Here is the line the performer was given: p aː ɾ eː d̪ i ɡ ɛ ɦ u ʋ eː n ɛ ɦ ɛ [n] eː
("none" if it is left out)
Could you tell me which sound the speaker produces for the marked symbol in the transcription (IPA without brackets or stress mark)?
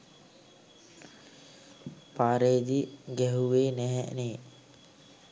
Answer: n